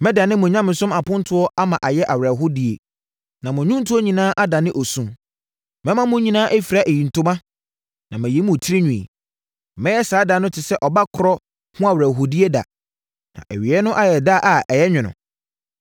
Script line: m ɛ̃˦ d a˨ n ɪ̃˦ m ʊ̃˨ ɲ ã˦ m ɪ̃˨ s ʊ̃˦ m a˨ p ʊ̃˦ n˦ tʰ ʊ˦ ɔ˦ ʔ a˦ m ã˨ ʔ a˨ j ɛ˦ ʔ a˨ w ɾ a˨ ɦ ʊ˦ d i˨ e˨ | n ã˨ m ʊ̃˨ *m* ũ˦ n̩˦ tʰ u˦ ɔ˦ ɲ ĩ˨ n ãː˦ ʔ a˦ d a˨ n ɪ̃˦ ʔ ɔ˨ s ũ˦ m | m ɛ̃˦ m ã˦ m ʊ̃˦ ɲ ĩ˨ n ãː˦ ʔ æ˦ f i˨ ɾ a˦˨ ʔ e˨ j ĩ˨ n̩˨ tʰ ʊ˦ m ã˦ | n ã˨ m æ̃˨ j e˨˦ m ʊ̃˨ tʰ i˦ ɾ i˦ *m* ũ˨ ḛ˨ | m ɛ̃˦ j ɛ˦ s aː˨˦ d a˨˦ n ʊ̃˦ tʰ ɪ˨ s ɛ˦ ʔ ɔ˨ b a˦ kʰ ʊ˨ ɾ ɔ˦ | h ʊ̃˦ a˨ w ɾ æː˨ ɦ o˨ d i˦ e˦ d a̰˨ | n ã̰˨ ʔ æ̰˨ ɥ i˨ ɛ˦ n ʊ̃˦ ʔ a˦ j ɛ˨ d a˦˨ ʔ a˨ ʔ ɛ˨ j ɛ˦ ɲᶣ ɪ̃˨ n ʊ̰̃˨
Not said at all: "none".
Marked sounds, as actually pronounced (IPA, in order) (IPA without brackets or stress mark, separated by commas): ɲ, ɲ